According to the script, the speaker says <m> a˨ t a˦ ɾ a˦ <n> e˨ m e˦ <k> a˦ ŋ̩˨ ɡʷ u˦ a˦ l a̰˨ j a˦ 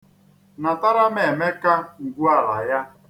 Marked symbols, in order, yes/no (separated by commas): no, no, yes